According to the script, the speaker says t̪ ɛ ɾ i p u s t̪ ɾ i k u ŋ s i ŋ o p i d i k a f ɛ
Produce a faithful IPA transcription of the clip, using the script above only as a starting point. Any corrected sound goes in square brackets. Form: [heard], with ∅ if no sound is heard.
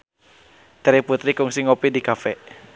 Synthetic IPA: t̪ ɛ ɾ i p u [∅] t̪ ɾ i k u ŋ s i ŋ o p i d i k a f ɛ

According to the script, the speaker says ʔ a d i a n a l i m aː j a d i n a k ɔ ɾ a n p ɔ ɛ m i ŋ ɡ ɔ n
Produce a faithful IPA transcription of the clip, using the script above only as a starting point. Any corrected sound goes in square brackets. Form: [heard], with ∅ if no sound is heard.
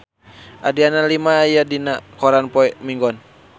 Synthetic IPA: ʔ a d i a n a l i m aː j a d i n a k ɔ ɾ a n p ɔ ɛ m i ŋ ɡ ɔ n

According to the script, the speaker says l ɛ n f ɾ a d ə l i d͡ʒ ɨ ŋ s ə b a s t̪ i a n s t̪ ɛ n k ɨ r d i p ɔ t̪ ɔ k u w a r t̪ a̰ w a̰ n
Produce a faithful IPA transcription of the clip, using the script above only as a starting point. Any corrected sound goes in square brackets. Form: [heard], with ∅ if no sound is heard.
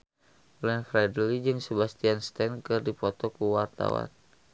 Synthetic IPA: l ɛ n f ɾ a d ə l i d͡ʒ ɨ ŋ s ə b a s t̪ i a n s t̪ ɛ n k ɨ r d i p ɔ t̪ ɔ k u w a r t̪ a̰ w a̰ n

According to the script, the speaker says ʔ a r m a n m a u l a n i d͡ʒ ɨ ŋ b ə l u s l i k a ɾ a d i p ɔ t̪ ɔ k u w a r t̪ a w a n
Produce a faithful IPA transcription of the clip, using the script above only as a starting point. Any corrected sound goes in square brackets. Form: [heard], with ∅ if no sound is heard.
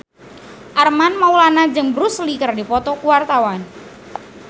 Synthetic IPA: ʔ a r m a n m a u l a n [a] d͡ʒ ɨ ŋ b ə [ɾ] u s l i k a ɾ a d i p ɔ t̪ ɔ k u w a r t̪ a w a n

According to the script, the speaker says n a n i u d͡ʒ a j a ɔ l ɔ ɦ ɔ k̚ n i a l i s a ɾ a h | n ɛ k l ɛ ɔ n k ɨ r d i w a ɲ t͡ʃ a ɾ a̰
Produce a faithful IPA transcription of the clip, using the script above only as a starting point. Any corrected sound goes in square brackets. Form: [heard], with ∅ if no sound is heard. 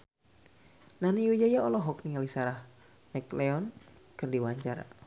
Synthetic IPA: n a n i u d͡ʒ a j a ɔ l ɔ ɦ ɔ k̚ n i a l i s a ɾ a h | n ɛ k l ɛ ɔ n k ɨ r d i w a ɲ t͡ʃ a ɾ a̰

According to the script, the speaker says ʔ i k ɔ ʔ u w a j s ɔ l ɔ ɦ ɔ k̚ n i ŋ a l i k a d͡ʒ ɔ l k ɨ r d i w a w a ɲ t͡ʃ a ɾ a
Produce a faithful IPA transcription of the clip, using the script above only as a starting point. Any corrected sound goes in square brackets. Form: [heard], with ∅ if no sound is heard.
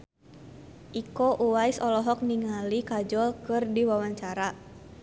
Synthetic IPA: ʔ i k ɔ ʔ u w a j s ɔ l ɔ ɦ ɔ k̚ n i ŋ a l i k a d͡ʒ ɔ l k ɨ r d i w a w a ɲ t͡ʃ a ɾ a

